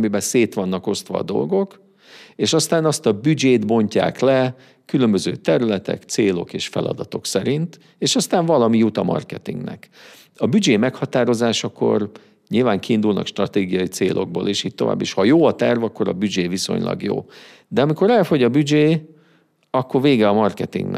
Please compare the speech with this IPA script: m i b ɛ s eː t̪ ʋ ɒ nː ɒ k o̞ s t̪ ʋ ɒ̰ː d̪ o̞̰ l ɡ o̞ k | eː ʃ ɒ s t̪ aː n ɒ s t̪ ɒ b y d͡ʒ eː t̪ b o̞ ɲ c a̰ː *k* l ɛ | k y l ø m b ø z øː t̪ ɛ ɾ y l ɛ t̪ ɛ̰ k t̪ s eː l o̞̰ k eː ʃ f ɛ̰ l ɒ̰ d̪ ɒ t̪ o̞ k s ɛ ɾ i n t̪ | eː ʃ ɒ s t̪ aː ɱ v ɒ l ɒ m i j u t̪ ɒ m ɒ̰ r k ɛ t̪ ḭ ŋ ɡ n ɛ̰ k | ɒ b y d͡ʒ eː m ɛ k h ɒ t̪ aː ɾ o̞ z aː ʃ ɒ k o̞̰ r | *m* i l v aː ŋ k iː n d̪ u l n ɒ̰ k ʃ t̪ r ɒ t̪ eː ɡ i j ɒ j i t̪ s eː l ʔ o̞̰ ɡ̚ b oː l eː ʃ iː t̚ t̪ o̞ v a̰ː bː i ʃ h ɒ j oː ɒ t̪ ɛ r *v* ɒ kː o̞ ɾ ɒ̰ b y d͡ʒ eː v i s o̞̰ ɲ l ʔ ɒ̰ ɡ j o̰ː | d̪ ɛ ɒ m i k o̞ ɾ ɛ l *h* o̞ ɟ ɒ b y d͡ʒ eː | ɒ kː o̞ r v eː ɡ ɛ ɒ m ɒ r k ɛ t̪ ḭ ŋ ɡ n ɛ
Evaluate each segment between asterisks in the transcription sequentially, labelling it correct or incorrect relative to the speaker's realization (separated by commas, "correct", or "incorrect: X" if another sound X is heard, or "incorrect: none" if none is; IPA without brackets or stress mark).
correct, incorrect: ɲ, correct, incorrect: f